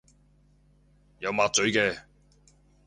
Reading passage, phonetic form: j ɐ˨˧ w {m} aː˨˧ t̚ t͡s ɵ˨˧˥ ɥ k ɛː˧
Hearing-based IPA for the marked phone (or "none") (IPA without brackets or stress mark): m